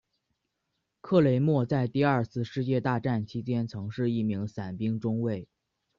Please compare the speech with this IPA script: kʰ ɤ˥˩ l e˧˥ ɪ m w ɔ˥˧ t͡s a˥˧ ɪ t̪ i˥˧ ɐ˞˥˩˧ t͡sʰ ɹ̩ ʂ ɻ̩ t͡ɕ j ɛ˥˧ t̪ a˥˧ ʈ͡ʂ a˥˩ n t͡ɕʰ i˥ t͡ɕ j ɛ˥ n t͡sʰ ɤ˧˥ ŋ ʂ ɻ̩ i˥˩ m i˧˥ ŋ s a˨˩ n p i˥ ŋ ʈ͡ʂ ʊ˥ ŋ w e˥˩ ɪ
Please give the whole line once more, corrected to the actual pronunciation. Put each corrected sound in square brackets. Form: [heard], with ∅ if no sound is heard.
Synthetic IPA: kʰ ɤ˥˩ l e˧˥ ɪ m w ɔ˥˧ t͡s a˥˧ ɪ t̪ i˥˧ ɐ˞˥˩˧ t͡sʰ ɹ̩ ʂ ɻ̩ t͡ɕ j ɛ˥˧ t̪ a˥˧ ʈ͡ʂ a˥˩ n t͡ɕʰ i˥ t͡ɕ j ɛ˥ n t͡sʰ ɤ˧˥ ŋ ʂ ɻ̩ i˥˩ m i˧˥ ŋ s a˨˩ n p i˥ ŋ ʈ͡ʂ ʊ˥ ŋ w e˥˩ ɪ